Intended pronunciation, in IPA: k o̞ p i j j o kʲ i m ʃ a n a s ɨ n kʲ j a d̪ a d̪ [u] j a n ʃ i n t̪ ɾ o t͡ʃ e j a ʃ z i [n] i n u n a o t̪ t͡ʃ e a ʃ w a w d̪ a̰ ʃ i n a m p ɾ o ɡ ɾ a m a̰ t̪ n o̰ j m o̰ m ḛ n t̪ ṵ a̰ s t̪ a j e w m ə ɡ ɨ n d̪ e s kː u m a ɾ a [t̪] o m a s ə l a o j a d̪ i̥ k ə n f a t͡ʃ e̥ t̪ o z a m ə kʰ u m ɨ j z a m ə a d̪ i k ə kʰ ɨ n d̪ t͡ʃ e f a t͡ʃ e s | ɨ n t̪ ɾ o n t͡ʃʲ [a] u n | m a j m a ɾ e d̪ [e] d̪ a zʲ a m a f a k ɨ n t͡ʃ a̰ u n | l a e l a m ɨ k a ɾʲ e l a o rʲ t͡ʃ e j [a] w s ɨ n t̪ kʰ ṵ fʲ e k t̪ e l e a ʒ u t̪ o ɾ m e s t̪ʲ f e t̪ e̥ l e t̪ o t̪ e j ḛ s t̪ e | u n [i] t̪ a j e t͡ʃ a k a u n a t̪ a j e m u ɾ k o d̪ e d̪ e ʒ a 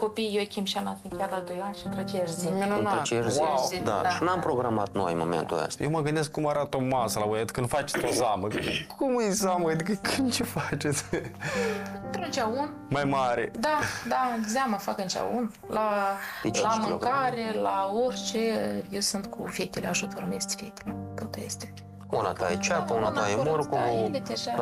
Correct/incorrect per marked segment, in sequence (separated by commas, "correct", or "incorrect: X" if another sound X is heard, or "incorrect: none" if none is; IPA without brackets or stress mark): incorrect: o, incorrect: m, correct, correct, incorrect: a, incorrect: e, incorrect: a